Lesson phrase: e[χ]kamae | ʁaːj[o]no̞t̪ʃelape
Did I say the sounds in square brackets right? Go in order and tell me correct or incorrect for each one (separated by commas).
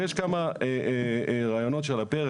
incorrect, correct